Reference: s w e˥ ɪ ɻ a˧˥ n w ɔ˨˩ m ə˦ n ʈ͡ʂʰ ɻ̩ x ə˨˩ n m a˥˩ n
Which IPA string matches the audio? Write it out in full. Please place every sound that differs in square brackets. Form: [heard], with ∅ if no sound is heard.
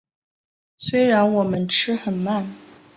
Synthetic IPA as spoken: s w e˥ ɪ ɻ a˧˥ n w ɔ˨˩ m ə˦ n ʈ͡ʂʰ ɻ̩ x ə˨˩ n m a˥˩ n